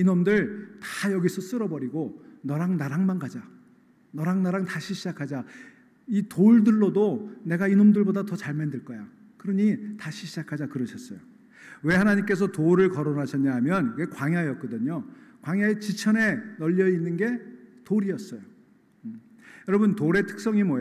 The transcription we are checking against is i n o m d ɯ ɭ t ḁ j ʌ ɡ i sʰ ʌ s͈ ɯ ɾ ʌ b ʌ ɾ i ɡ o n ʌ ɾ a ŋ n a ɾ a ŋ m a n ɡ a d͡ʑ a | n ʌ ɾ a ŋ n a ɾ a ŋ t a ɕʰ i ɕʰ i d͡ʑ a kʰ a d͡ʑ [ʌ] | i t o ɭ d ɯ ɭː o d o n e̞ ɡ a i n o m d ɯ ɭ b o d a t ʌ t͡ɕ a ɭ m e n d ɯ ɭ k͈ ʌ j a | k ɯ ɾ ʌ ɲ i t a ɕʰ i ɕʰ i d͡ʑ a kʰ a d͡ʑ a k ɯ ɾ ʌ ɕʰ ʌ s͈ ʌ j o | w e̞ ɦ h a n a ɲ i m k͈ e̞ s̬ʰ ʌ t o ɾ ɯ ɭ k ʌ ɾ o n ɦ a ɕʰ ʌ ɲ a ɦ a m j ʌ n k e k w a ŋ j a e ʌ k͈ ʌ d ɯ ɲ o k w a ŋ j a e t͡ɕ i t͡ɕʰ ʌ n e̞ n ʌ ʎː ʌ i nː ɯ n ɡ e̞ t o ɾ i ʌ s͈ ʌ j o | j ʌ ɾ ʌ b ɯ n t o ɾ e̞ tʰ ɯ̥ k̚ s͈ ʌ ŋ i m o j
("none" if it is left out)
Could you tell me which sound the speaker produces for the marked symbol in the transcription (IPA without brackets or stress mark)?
a